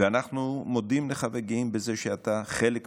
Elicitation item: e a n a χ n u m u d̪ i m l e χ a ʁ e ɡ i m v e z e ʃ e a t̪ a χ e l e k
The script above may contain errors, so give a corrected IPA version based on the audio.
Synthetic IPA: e a n a χ n u m o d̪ i m l e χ a v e ɡ i m b e z e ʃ e a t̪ a χ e l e k